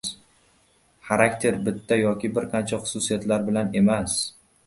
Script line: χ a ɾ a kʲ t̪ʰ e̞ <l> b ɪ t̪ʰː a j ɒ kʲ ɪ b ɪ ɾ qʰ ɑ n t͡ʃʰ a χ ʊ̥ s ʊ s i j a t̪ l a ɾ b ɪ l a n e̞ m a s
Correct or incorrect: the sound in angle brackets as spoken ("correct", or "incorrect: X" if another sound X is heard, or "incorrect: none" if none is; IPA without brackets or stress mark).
incorrect: ɾ